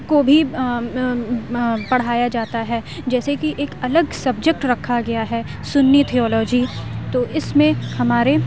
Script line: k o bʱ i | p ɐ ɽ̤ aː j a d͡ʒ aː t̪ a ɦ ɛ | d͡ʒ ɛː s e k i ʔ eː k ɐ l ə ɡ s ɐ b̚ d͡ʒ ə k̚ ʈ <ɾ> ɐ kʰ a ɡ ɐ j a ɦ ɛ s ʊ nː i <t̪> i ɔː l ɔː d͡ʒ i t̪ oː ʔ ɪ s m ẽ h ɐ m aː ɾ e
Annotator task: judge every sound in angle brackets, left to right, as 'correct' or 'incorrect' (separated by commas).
correct, incorrect